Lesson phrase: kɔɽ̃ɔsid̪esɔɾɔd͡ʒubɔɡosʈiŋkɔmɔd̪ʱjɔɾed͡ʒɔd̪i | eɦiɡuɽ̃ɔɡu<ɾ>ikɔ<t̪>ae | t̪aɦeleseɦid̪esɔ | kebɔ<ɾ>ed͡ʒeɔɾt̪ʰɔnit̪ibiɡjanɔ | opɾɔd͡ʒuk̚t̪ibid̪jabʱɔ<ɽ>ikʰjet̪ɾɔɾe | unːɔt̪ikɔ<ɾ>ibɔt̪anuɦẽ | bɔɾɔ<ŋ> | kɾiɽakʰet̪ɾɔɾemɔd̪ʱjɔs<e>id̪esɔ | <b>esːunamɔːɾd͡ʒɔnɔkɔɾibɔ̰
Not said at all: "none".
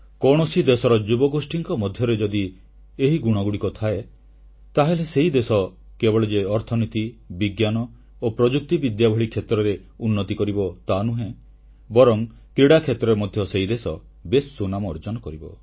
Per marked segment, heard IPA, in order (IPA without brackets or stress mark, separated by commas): ɽ, t̪ʰ, ɭ, ɭ, ɾ, ŋ, e, b